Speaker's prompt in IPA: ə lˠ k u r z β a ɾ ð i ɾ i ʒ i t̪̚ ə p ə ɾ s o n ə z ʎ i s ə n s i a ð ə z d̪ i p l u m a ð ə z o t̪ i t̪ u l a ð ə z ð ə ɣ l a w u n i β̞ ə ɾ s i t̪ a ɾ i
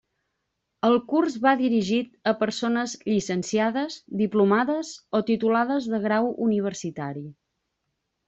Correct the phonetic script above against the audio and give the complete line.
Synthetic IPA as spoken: ə lˠ k u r z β a ð i ɾ i ʒ i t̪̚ ə p ə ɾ s o n ə z ʎ i s ə n s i a ð ə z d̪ i p l u m a ð ə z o t̪ i t̪ u l a ð ə z ð ə ɣ ɾ a w u n i β̞ ə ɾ s i t̪ a ɾ i

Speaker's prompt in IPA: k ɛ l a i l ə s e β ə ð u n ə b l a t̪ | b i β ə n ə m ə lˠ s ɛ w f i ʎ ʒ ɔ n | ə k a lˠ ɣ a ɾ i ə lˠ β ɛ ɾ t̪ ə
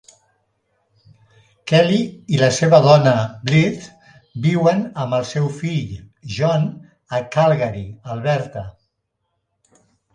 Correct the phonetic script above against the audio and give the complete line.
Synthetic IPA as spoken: k ɛ l i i l ə s e β ə ð ɔ n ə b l i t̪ | b i w ə n ə m ə lˠ s ɛ w f i ʎ ʒ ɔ n | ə k a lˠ ɣ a ɾ i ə lˠ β ɛ ɾ t̪ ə

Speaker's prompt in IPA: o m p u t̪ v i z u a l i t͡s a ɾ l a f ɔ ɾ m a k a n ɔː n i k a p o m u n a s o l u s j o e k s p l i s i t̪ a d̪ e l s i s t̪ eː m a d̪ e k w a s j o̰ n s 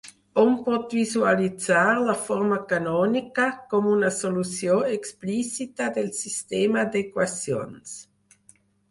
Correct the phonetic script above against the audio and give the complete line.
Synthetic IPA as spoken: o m p ɔ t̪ v i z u a l i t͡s a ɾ l a f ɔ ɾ m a k a n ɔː n i k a k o m u n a s o l u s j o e k s p l i s i t̪ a d̪ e l s i s t̪ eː m a d̪ e k w a s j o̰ n s

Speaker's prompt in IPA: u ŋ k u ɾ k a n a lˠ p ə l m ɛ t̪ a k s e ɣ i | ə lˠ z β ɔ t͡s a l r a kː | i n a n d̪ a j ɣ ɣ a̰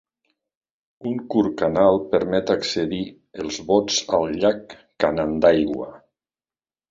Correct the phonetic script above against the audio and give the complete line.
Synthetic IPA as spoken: u ŋ k u ɾ k a n a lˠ p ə ɾ m ɛ t̪ a k s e ð i | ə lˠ z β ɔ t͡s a l ʎ a kː | a n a n d̪ a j ɣ w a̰

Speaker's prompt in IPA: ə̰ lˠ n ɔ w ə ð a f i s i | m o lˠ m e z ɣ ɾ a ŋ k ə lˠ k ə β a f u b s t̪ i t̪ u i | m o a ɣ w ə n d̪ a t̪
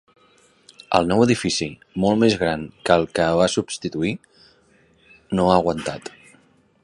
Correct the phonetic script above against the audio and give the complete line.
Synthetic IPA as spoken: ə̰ lˠ n ɔ w ə ð i f i s i | m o lˠ m e z ɣ ɾ a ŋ k ə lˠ k ə β a s u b s t̪ i t̪ u i | n o a ɣ w ə n t̪ a t̪

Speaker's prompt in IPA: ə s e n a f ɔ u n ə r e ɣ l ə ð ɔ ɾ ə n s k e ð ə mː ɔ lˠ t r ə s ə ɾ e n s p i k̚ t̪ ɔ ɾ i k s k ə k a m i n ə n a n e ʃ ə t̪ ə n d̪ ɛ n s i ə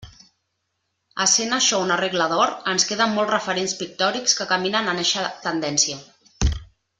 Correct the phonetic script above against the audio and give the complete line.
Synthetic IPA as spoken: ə s e n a ʃ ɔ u n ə r e ɣ l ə ð ɔ ɾ ə n s k e ð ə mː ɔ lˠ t r ə f ə ɾ e n s p i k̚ t̪ ɔ ɾ i k s k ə k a m i n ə n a n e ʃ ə t̪ ə n d̪ ɛ n s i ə

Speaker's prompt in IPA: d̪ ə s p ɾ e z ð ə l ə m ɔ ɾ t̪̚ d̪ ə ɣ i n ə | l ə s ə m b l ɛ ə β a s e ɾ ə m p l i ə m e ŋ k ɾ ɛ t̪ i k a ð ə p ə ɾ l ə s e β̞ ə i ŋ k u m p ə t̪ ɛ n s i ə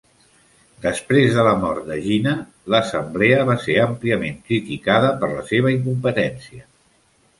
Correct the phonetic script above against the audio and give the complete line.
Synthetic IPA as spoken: d̪ ə s p ɾ e z ð ə l ə m ɔ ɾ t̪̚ d̪ ə ʒ i n ə | l ə s ə m b l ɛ ə β a s e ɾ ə m p l i ə m e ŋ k ɾ i t̪ i k a ð ə p ə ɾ l ə s e β̞ ə i ŋ k u m p ə t̪ ɛ n s i ə

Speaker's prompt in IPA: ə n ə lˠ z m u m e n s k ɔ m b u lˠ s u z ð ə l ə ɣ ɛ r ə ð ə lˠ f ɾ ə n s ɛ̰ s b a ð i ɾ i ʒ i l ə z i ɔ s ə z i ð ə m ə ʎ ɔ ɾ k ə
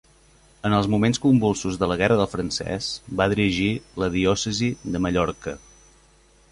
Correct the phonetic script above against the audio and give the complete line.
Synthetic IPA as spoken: ə n ə lˠ z m u m e n s k u m b u lˠ s u z ð ə l ə ɣ ɛ r ə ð ə lˠ f ɾ ə n s ɛ̰ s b a ð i ɾ i ʒ i l ə ð i ɔ s ə z i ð ə m ə ʎ ɔ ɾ k ə

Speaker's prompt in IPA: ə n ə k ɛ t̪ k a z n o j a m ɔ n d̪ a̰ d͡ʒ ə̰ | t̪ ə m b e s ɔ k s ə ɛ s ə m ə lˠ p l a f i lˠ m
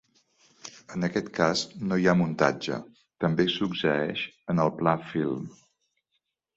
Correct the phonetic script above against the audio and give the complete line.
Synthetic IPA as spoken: ə n ə k ɛ t̪ k a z n o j a m u n t̪ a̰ d͡ʒ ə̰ | t̪ ə m b e s u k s ə ɛ ʃ ə n ə lˠ p l a f i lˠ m

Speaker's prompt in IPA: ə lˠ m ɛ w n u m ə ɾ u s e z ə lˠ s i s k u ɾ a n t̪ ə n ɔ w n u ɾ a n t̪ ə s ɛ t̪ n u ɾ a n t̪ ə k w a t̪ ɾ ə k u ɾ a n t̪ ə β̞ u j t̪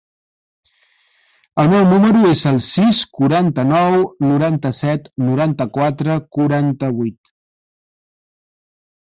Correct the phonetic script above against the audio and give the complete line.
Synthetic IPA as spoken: ə lˠ m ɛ w n u m ə ɾ u e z ə lˠ s i s k u ɾ a n t̪ ə n ɔ w n u ɾ a n t̪ ə s ɛ t̪ n u ɾ a n t̪ ə k w a t̪ ɾ ə k u ɾ a n t̪ ə β̞ u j t̪

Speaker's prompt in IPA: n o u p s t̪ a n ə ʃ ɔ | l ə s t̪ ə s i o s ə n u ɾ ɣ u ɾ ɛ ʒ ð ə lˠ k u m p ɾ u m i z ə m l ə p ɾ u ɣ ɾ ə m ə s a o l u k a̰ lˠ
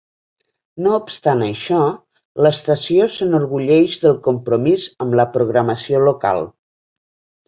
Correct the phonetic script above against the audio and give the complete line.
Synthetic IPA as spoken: n o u p s t̪ a n ə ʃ ɔ | l ə s t̪ ə s i o s ə n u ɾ ɣ u ʎ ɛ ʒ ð ə lˠ k u m p ɾ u m i z ə m l ə p ɾ u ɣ ɾ ə m ə s i o l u k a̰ lˠ

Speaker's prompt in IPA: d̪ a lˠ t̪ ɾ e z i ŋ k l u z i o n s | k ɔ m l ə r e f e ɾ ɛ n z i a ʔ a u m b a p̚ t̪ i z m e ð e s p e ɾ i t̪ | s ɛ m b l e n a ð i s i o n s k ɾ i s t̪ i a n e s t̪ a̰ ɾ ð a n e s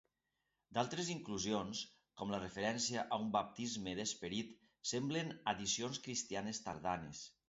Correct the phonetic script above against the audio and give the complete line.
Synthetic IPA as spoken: d̪ a lˠ t̪ ɾ e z i ŋ k l u z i o n s | k ɔ m l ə r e f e ɾ ɛ n s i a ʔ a u m b a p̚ t̪ i z m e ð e s p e ɾ i t̪ | s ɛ m b l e n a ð i s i o n s k ɾ i s t̪ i a n e s t̪ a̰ ɾ ð a n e s

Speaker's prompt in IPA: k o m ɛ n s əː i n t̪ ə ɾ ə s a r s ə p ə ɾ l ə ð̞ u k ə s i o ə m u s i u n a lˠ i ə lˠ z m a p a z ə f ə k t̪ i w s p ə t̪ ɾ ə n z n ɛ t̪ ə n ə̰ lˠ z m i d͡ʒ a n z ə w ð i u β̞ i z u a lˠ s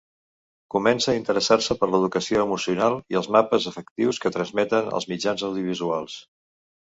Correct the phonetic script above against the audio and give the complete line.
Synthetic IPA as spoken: k u m ɛ n s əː i n t̪ ə ɾ ə s a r s ə p ə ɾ l ə ð̞ u k ə s i o ə m u s i u n a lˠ i ə lˠ z m a p ə z ə f ə k t̪ i w s k ə t̪ ɾ ə n z m ɛ t̪ ə n ə̰ lˠ z m i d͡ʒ a n z ə w ð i u β̞ i z u a lˠ s

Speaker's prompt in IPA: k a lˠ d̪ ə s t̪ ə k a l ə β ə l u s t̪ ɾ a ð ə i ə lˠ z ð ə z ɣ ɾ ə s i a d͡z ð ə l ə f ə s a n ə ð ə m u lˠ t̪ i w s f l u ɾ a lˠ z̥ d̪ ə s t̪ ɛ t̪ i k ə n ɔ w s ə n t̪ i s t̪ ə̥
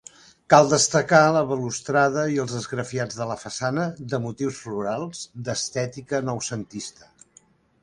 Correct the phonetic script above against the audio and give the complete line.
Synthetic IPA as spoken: k a lˠ d̪ ə s t̪ ə k a l ə β ə l u s t̪ ɾ a ð ə i ə lˠ z ð ə z ɣ ɾ ə f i a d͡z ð ə l ə f ə s a n ə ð ə m u t̪ i w s f l u ɾ a lˠ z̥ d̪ ə s t̪ ɛ t̪ i k ə n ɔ w s ə n t̪ i s t̪ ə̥

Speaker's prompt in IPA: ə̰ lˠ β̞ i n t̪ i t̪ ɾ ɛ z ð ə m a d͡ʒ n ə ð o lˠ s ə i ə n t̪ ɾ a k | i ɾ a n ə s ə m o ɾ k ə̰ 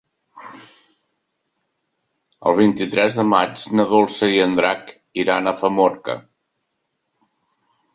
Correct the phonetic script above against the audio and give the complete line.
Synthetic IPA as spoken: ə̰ lˠ β̞ i n t̪ i t̪ ɾ ɛ z ð ə m a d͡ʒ n ə ð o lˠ s ə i ə n d̪ ɾ a k | i ɾ a n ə f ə m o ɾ k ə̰

